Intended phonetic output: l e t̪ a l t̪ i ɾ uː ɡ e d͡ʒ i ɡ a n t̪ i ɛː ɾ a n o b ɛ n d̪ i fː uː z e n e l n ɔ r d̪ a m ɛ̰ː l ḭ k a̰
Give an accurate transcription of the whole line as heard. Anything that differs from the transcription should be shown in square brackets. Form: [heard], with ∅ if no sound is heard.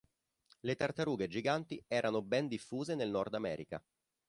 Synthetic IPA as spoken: l e t̪ a [r] t̪ [a] ɾ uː ɡ e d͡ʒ i ɡ a n t̪ i ɛː ɾ a n o b ɛ n d̪ i fː uː z e n e l n ɔ r d̪ a m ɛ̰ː [ɾ] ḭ k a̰